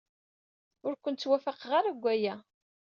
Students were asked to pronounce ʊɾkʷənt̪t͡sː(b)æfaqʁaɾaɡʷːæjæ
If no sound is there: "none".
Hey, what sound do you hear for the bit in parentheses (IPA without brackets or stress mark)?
w